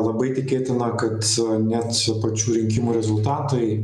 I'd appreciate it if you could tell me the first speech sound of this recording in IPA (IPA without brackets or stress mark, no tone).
lˠ